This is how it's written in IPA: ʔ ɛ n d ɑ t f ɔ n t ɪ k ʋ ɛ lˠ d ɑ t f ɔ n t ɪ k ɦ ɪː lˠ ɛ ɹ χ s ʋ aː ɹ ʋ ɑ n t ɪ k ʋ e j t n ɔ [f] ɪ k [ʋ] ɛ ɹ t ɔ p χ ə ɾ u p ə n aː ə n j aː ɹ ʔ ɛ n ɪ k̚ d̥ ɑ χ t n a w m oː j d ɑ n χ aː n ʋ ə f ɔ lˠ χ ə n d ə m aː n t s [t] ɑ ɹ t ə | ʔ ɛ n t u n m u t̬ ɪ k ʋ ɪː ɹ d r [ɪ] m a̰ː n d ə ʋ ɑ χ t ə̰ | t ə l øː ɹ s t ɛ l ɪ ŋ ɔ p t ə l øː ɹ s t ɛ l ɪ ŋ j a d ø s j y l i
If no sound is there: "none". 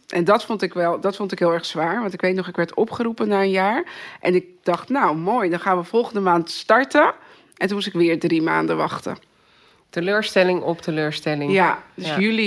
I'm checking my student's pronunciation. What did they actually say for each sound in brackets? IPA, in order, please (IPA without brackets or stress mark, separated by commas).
χ, ʋ, t, i